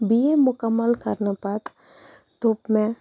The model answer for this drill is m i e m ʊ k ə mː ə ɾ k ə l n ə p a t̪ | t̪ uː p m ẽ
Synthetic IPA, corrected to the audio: b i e m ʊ k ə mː ə l k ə ɾ n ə p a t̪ | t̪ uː p m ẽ